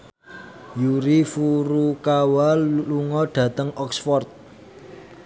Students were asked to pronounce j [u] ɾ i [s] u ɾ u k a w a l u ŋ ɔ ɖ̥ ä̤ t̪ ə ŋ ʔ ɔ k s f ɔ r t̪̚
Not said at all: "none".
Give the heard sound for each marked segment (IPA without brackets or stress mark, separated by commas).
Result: u, f